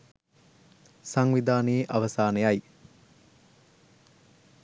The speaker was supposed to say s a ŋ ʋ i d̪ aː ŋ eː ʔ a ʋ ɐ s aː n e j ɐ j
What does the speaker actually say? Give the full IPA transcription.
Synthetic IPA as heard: s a ŋ ʋ i d̪ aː n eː ʔ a ʋ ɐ s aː n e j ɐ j